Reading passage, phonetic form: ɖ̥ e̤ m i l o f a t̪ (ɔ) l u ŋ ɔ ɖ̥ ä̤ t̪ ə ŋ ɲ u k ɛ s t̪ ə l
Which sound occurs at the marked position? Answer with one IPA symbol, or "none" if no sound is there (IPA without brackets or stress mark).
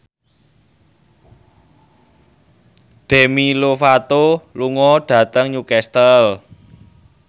o